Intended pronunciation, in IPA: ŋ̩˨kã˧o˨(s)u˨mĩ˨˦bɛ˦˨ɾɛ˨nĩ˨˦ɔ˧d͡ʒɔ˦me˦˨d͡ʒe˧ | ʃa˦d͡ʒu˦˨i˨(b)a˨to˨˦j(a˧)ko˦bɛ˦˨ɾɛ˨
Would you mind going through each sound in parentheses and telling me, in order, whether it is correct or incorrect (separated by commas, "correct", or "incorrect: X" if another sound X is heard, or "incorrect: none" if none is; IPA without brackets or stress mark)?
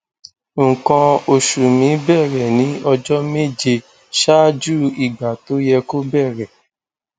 incorrect: ʃ, incorrect: ɡ͡b, incorrect: ɛ˧